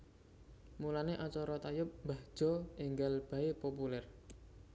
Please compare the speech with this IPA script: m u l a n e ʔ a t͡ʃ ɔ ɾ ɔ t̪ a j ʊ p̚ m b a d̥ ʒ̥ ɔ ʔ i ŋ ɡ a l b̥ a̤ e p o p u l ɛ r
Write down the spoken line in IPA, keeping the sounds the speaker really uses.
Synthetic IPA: m u l a n e ʔ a t͡ʃ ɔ ɾ ɔ t̪ a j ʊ p̚ m b a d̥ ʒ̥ ɔ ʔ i ŋ ɡ a l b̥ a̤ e p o p u l ɛ r